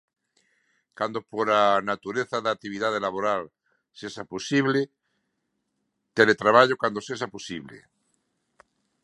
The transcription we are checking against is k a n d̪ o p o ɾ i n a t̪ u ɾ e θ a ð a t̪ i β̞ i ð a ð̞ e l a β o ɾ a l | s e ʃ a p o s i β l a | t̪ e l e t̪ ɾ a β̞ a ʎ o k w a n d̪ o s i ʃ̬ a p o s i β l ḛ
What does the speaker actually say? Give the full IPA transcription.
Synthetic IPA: k a n d̪ o p o ɾ a n a t̪ u ɾ e θ a ð a t̪ i β̞ i ð a ð̞ e l a β o ɾ a l | s e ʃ a p o s i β l e | t̪ e l e t̪ ɾ a β̞ a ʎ o k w a n d̪ o s e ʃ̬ a p o s i β l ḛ